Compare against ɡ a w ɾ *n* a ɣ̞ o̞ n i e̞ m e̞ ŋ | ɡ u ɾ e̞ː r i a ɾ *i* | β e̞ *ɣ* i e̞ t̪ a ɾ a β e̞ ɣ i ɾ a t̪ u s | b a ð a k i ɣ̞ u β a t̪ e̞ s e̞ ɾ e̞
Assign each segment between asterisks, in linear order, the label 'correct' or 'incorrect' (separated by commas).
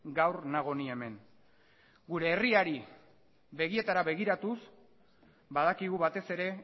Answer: correct, correct, correct